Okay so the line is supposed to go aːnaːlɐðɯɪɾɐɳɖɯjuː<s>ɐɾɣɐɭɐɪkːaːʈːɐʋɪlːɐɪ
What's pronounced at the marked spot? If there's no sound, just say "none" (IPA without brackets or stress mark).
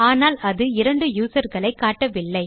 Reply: s